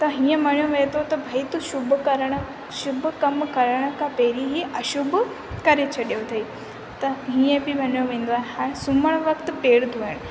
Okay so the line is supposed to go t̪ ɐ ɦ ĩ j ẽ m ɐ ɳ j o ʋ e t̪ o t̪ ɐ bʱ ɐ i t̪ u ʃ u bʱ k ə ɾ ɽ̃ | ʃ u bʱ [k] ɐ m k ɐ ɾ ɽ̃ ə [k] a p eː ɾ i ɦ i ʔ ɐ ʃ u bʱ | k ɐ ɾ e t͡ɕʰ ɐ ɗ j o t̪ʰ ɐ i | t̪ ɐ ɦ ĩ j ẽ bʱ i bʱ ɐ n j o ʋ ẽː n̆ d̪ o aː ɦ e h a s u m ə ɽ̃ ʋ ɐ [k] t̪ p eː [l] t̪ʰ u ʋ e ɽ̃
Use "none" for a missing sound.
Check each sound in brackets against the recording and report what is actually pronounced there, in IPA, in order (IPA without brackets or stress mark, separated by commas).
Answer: k, k, k, ɽ